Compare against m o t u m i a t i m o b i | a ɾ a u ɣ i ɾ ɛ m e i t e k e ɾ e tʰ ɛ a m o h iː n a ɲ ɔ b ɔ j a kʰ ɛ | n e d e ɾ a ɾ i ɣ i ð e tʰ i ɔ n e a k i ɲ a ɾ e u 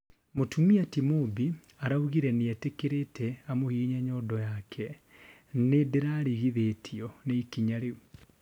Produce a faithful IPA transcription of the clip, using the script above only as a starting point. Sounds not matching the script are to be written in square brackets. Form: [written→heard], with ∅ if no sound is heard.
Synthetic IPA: m o t u m i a t i m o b i | a ɾ a u ɣ i ɾ ɛ [m→n] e [i→ɛ] t e k e ɾ e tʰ ɛ a m o h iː [n→ɲ] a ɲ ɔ [b→d] ɔ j a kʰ ɛ | n e d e ɾ a ɾ i ɣ i ð e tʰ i ɔ n e [a→i] k i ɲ a ɾ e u